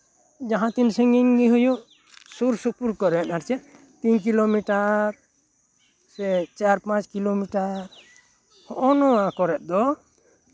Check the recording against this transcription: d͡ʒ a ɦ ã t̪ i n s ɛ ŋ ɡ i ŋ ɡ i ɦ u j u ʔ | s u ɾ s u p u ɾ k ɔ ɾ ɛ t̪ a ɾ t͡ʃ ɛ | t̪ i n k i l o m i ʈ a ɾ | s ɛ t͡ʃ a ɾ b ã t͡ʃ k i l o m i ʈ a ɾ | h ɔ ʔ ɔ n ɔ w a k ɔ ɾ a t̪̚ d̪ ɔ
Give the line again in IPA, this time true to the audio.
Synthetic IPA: d͡ʒ a ɦ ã t̪ i n s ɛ ŋ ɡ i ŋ ɡ i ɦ u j u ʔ | s u ɾ s u p u ɾ k ɔ ɾ ɛ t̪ a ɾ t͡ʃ ɛ | t̪ i n k i l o m i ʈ a ɾ | s ɛ t͡ʃ a ɾ p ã t͡ʃ k i l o m i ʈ a ɾ | h ɔ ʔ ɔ n ɔ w a k ɔ ɾ ɛ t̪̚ d̪ ɔ